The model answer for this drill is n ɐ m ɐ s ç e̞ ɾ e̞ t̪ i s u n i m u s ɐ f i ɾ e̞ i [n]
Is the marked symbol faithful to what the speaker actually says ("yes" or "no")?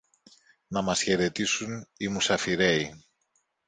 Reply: no